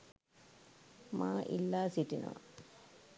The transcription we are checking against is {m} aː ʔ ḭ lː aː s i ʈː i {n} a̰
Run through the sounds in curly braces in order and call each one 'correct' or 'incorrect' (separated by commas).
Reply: correct, correct